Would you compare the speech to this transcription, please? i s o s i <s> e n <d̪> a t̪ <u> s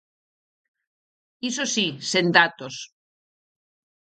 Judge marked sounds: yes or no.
yes, yes, no

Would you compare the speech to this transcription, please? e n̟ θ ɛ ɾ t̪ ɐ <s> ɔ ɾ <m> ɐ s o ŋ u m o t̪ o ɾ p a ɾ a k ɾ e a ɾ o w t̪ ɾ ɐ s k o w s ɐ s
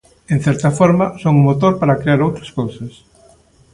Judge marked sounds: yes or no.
no, yes

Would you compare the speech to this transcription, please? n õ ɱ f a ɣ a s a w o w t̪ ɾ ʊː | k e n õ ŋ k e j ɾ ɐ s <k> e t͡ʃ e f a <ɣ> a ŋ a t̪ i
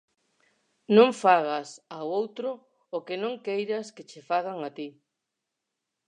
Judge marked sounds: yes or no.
yes, yes

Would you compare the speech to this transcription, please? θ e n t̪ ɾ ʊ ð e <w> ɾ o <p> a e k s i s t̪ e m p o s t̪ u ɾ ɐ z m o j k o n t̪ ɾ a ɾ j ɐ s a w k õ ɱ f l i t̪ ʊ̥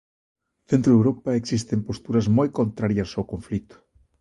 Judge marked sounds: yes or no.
yes, yes

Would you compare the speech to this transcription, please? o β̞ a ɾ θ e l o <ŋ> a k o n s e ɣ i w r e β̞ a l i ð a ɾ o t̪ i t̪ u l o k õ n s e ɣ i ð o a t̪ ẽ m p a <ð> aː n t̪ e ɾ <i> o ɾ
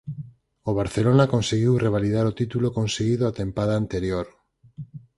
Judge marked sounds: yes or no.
no, yes, no

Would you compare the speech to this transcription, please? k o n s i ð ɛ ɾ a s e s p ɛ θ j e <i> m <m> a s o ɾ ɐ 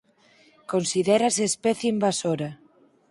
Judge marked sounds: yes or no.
yes, no

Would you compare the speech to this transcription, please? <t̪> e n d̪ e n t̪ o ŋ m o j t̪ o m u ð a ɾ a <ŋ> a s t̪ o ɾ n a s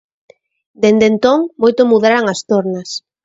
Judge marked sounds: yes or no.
no, yes

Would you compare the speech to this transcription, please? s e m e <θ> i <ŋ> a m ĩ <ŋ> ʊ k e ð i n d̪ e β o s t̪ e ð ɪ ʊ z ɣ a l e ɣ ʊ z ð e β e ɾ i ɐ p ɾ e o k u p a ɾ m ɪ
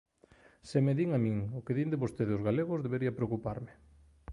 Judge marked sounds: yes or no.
no, yes, yes

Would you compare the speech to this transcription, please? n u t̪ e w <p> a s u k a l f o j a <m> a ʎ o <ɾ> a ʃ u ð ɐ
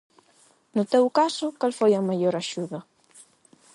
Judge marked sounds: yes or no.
no, yes, yes

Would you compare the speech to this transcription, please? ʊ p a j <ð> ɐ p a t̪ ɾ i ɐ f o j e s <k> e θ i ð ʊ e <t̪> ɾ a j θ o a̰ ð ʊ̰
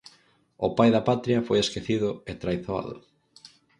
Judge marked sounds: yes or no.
yes, yes, yes

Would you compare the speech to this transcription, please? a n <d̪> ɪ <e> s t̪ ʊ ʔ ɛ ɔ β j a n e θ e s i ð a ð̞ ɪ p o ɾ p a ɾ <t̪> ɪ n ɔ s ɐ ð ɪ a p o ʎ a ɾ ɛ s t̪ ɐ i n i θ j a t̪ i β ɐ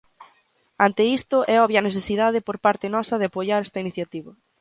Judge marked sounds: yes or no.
no, no, yes

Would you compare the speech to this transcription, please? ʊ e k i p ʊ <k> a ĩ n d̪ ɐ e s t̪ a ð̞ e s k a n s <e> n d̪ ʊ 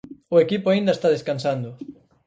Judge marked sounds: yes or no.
no, no

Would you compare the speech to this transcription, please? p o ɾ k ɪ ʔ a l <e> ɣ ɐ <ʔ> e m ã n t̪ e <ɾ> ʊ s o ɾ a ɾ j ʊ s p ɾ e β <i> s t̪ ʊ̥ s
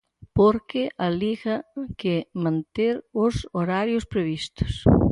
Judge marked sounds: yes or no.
no, no, yes, yes

